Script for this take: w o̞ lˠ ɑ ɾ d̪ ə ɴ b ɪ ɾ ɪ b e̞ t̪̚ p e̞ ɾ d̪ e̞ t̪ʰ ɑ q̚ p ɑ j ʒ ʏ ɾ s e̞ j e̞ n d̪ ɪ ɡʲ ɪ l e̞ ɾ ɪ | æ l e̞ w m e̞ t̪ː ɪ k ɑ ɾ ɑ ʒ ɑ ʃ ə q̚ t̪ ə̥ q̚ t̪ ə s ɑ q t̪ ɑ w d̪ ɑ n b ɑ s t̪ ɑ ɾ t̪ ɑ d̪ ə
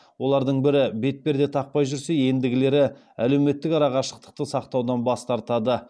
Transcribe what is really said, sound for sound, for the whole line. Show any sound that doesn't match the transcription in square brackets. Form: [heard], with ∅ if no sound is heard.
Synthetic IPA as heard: w o̞ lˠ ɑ ɾ d̪ ə ɴ b ɪ ɾ ɪ b e̞ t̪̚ p e̞ ɾ d̪ e̞ t̪ʰ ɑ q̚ p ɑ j ʒ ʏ ɾ s e̞ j e̞ n d̪ ɪ ɡʲ ɪ l e̞ ɾ ɪ | æ l e̞ w m e̞ t̪ː ɪ k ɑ ɾ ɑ [ʁ] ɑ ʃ ə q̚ t̪ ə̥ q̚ t̪ ə s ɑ q t̪ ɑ w d̪ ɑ n b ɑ s t̪ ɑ ɾ t̪ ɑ d̪ ə